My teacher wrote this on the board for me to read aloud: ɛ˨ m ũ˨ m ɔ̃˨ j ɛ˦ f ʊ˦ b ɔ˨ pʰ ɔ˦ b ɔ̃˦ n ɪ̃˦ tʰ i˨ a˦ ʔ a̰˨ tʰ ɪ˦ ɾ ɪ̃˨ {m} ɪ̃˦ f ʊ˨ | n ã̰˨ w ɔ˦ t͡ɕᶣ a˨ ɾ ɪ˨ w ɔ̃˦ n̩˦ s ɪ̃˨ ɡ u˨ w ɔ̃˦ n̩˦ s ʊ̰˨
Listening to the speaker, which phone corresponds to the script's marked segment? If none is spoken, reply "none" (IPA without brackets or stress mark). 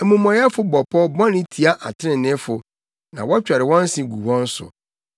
n